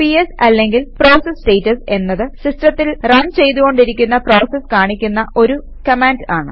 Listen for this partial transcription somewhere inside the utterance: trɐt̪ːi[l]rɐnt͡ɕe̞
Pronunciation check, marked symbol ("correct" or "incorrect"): correct